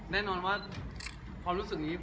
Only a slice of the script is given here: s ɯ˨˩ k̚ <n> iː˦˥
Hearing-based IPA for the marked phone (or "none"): n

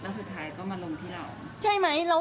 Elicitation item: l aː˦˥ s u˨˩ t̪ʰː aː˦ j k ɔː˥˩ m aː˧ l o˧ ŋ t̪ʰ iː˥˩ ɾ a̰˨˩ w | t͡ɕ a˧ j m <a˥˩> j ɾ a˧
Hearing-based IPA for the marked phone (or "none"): a˦˥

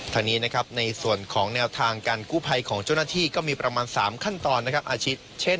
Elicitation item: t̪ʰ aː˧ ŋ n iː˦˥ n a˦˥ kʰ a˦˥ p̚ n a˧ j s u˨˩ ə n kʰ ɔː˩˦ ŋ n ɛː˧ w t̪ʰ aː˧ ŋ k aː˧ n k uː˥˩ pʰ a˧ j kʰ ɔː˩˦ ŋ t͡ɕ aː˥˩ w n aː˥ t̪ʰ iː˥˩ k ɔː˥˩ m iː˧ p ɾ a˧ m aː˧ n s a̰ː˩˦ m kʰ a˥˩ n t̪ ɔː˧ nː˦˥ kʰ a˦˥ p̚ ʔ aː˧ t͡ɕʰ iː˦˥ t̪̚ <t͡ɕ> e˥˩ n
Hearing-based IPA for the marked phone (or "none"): t͡ɕʰ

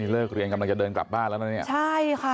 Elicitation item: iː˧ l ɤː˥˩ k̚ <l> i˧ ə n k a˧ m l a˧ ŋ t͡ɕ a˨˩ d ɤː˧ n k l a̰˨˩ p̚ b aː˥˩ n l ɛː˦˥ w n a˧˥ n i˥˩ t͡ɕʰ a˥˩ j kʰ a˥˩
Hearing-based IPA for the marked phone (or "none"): ɾ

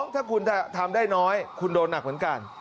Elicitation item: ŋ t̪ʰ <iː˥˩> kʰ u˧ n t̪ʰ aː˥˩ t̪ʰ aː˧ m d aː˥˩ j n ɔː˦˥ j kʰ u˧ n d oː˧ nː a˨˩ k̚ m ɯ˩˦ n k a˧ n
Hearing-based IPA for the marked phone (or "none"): aː˥˩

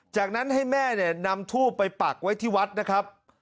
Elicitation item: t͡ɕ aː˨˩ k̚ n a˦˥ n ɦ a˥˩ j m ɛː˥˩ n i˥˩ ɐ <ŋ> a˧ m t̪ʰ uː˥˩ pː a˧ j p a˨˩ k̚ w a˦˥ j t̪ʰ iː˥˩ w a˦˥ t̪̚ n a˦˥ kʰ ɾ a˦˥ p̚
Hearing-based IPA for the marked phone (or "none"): n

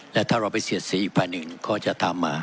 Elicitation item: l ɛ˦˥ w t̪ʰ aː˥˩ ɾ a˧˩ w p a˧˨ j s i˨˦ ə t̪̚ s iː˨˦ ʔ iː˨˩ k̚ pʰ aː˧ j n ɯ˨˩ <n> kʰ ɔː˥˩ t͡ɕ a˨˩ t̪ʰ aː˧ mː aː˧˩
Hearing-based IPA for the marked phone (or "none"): ŋ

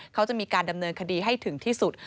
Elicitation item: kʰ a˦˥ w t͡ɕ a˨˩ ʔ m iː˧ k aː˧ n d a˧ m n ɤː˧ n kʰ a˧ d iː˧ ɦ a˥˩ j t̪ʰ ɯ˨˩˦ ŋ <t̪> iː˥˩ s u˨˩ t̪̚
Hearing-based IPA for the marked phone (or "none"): t̪ʰ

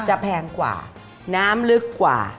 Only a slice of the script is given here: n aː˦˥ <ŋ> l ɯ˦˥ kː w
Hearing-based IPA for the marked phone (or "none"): m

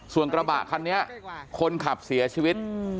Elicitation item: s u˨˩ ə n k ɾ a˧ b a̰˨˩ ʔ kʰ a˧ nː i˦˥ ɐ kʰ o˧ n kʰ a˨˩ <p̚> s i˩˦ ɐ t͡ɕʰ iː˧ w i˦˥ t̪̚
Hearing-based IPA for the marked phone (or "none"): p̚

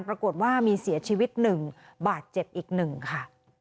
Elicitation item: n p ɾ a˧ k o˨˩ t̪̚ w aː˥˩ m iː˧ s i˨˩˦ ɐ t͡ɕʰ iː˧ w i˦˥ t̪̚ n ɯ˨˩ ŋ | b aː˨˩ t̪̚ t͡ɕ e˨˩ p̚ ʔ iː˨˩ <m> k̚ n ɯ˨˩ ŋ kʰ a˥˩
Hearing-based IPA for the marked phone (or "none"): none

